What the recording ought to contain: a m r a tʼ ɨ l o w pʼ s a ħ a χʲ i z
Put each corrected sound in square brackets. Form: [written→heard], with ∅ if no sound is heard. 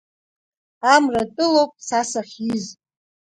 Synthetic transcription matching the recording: a m r a tʼ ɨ l o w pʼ s a [ħ→s] a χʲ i z